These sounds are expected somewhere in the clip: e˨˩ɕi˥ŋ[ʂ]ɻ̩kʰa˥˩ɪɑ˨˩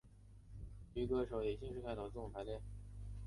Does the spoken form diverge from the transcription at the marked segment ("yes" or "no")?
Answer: no